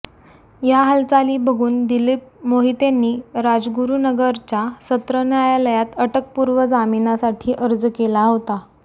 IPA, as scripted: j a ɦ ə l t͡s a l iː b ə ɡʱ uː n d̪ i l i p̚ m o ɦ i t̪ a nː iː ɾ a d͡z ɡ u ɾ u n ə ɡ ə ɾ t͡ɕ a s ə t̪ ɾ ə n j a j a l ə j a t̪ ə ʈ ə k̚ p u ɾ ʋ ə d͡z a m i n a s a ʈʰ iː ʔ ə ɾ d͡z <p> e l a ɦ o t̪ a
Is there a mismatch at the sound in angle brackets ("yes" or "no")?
yes